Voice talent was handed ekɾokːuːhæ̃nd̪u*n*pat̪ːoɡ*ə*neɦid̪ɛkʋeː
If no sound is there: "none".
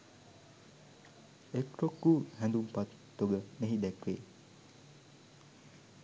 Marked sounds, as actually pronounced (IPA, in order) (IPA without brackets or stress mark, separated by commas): m, ə